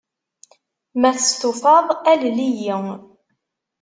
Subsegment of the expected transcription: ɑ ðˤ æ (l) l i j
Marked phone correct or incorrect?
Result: correct